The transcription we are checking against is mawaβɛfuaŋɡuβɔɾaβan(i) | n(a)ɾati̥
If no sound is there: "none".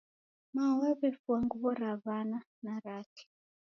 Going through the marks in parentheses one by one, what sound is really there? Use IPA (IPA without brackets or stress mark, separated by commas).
a, a